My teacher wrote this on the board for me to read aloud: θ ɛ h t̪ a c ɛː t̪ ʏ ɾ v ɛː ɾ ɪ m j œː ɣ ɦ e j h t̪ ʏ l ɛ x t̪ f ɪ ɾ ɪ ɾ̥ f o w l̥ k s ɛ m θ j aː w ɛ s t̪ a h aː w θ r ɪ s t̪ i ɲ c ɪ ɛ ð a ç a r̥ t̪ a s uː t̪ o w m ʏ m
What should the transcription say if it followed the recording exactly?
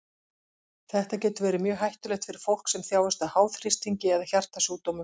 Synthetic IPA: θ ɛ h t̪ a c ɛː t̪ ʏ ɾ v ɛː ɾ ɪ m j œː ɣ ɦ a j h t̪ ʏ l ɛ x t̪ f ɪ ɾ ɪ ɾ̥ f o w l̥ k s ɛ m θ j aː w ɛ s t̪ a h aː w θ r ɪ s t̪ i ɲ c ɪ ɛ ð a ç a r̥ t̪ a s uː t̪ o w m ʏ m